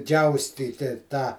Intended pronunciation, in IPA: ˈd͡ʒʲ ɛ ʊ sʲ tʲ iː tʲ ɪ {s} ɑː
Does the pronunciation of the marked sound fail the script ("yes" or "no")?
yes